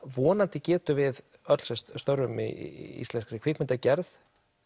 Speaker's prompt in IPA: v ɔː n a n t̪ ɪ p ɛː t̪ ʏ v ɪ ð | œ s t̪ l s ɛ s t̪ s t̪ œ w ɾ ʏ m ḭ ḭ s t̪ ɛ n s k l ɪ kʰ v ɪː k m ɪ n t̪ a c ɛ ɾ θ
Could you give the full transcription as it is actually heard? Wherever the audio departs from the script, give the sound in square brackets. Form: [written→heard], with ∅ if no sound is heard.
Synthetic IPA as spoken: v ɔː n a n t̪ ɪ [p→c] ɛː t̪ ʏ v ɪ ð | œ [s→∅] t̪ l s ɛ s t̪ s t̪ œ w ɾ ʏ m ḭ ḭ s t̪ ɛ n s k [l→ɾ] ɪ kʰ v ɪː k m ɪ n t̪ a c ɛ ɾ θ